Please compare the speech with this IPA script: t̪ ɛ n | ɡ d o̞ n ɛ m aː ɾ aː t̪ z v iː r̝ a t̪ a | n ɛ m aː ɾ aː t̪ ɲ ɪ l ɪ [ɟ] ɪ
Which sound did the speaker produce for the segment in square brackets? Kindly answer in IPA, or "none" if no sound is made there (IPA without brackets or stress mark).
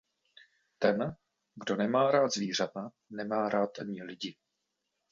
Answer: ɟ